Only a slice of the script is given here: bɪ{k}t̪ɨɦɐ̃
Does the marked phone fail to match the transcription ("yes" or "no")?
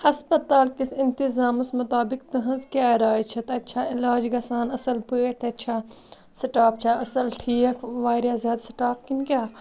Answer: no